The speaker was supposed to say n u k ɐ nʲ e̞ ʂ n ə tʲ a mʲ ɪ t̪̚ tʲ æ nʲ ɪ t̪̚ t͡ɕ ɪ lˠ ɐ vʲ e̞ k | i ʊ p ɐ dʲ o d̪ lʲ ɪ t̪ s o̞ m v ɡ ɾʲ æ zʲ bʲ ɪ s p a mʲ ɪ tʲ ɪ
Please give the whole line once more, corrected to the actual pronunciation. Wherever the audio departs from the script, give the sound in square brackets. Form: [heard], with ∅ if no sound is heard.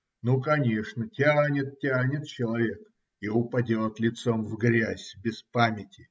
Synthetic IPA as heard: n u k ɐ nʲ e̞ ʂ n ə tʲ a [nʲ] ɪ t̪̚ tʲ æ nʲ ɪ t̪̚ t͡ɕ ɪ lˠ ɐ vʲ e̞ k | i ʊ p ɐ dʲ o [t̪] lʲ ɪ t̪ s o̞ m v ɡ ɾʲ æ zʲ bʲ ɪ s p a mʲ ɪ tʲ ɪ